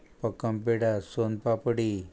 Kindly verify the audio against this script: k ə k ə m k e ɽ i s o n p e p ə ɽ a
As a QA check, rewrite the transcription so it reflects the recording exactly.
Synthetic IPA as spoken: p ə k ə m p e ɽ a s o n p a p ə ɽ i